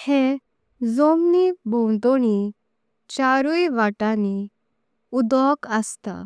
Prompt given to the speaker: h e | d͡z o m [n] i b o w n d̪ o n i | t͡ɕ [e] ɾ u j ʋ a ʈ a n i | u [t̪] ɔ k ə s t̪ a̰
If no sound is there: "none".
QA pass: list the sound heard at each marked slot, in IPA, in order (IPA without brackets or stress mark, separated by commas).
n, a, d̪